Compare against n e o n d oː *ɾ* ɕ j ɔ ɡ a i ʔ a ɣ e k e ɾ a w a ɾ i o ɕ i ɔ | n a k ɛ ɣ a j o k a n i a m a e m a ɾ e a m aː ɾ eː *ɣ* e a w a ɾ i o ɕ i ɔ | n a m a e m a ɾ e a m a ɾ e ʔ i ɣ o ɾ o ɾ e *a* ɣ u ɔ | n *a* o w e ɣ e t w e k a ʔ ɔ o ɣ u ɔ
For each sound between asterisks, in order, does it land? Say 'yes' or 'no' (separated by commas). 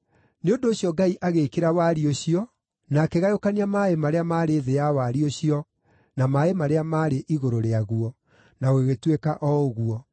no, no, yes, yes